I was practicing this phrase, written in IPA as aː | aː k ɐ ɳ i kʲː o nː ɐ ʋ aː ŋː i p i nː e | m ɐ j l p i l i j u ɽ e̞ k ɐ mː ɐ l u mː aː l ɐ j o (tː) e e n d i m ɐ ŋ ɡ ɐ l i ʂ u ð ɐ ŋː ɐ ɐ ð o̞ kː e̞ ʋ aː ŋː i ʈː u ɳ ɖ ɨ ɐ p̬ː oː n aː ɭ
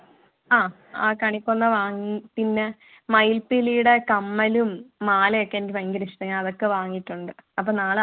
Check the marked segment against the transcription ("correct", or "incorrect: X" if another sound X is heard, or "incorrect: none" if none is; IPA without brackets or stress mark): incorrect: kː